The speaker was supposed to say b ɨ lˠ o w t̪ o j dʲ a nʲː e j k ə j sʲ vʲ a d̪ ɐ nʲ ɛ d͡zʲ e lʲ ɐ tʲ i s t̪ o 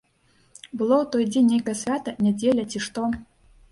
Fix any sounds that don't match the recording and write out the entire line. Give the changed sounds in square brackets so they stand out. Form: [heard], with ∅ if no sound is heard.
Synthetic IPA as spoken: b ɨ lˠ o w t̪ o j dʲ [e] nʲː e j k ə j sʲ vʲ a [t̪] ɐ nʲ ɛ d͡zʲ e lʲ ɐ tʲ i [ʂ] t̪ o